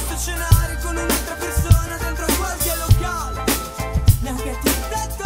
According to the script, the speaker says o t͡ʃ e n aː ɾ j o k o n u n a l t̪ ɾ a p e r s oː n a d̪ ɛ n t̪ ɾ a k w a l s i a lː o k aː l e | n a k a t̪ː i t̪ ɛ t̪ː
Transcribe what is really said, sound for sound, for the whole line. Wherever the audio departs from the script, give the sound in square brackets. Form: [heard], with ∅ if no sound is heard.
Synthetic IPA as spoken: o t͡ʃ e n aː ɾ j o k o n u n a l t̪ ɾ a p e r s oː n a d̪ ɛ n t̪ ɾ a k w a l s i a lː o k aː l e | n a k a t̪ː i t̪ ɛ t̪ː